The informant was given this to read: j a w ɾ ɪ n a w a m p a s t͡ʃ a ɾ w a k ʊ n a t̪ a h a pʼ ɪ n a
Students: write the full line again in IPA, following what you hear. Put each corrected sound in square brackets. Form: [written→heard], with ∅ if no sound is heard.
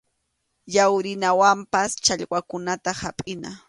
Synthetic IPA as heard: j a w ɾ ɪ n a w a m p a s t͡ʃ a [ɾ→ʎ] w a k ʊ n a t̪ a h a pʼ ɪ n a